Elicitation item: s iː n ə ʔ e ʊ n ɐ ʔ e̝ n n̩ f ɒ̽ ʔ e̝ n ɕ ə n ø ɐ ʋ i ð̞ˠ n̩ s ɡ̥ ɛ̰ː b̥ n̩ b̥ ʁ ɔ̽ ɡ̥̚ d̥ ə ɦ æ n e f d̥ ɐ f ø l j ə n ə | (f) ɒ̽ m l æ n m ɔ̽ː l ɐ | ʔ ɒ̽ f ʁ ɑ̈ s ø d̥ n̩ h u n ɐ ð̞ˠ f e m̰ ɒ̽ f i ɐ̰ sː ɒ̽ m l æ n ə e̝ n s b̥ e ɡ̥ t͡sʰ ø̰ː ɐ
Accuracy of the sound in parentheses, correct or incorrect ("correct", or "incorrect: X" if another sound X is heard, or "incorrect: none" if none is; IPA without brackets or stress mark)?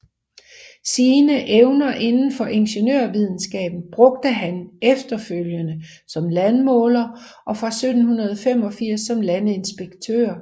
incorrect: s